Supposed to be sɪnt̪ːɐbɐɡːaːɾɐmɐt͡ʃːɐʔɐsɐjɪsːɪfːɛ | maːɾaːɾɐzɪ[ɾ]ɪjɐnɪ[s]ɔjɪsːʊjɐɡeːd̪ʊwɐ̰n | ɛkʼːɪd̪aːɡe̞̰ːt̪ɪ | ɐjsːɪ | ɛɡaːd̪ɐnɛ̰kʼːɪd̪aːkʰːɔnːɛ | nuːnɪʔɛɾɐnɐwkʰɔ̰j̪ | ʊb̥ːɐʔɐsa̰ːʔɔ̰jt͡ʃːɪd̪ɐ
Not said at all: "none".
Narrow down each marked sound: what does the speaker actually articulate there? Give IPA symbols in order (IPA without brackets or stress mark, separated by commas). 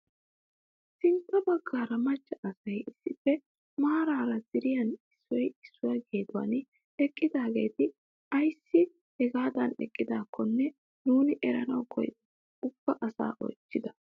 ɾ, sː